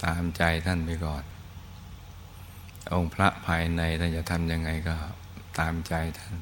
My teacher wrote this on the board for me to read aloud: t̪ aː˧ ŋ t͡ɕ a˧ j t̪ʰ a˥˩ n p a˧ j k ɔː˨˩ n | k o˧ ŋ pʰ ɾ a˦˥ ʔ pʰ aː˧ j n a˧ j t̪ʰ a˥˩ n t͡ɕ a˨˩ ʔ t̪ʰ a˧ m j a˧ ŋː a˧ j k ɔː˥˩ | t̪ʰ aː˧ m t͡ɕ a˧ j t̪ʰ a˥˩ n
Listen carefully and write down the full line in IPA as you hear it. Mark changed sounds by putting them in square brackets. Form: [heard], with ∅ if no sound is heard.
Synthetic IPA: t̪ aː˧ [m] t͡ɕ a˧ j t̪ʰ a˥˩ n p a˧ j k ɔː˨˩ n | [ʔ] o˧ ŋ pʰ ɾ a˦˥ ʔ pʰ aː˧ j n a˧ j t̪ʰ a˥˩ n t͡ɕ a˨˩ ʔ t̪ʰ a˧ m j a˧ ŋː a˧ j k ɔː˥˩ | [t̪] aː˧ m t͡ɕ a˧ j t̪ʰ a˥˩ n